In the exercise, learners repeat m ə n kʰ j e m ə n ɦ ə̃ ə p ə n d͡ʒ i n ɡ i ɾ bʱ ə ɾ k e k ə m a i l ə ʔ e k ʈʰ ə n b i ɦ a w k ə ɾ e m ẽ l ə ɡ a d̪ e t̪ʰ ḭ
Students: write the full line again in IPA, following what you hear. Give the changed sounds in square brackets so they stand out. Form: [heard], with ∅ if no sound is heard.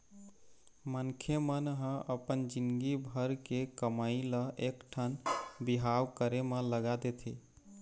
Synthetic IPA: m ə n kʰ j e m ə n ɦ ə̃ ə p ə n d͡ʒ i n ɡ i [∅] bʱ ə ɾ k e k ə m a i l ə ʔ e k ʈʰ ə n b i ɦ a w k ə ɾ e m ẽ l ə ɡ a d̪ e t̪ʰ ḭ